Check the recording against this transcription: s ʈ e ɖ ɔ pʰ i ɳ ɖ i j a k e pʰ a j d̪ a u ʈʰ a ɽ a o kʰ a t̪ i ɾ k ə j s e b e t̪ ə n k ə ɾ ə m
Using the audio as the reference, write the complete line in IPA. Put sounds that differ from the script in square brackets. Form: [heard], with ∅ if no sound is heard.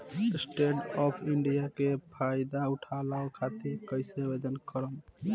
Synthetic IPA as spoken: s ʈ e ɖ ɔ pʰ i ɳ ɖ i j a k e pʰ a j d̪ a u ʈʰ a [l] a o kʰ a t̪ i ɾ k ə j s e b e [d̪] ə n k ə ɾ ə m

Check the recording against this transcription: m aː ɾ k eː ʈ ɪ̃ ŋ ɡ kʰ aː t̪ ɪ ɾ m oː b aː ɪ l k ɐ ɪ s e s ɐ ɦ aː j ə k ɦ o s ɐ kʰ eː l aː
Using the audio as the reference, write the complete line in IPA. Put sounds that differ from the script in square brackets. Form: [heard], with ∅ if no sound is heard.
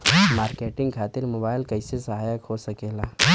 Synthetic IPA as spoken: m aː ɾ k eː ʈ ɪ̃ ŋ ɡ kʰ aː t̪ ɪ ɾ m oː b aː ɪ l k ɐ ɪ s e s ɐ ɦ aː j ə k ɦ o s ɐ [k] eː l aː

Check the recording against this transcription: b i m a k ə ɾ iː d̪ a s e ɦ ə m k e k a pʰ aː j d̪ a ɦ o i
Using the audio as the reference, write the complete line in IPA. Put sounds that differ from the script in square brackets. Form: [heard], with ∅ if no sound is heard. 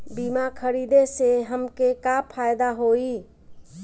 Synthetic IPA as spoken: b i m a [kʰ] ə ɾ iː d̪ [e] s e ɦ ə m k e k a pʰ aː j d̪ a ɦ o i

